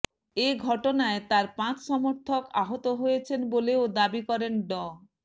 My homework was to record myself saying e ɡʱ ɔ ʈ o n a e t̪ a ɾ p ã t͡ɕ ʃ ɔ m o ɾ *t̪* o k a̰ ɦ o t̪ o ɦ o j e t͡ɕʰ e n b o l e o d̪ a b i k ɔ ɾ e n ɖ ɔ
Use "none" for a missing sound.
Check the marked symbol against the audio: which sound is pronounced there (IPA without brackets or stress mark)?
t̪ʰ